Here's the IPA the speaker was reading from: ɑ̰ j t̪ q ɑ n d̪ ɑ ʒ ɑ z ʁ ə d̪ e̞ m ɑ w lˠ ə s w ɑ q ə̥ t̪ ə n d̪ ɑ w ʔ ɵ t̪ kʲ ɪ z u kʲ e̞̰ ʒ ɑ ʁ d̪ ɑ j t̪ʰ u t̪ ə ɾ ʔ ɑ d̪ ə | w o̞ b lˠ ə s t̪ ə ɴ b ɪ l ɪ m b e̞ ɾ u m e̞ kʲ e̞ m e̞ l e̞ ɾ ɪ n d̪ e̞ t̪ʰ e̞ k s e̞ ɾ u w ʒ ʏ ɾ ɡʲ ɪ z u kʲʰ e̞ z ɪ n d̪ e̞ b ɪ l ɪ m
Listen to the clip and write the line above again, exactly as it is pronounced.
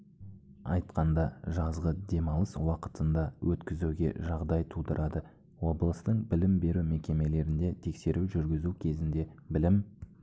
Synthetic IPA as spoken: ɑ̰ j t̪ q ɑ n d̪ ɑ ʒ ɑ z ʁ ə d̪ e̞ m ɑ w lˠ ə s w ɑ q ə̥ t̪ ə n d̪ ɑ w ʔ ɵ t̪ kʲ ɪ z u ɡʲ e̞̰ ʒ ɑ ʁ d̪ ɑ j t̪ʰ u d̪ ə ɾ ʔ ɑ d̪ ə | w o̞ b lˠ ə s t̪ ə ɴ b ɪ l ɪ m b e̞ ɾ u m e̞ kʲ e̞ m e̞ l e̞ ɾ ɪ n d̪ e̞ t̪ʰ e̞ k s e̞ ɾ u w ʒ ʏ ɾ ɡʲ ɪ z u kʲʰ e̞ z ɪ n d̪ e̞ b ɪ l ɪ m